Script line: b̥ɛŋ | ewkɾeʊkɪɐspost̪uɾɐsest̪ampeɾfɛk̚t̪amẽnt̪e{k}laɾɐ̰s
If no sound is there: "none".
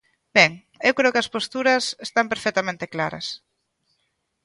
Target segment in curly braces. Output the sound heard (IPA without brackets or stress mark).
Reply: k